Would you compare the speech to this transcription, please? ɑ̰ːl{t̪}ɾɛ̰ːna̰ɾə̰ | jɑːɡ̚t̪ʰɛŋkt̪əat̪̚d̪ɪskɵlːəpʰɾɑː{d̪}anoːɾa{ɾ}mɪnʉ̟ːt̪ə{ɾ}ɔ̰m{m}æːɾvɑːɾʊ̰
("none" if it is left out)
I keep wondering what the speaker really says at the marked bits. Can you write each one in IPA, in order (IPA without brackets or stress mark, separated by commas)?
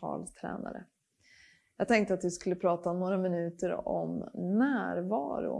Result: t̪ʰ, t̪, none, ɾ, n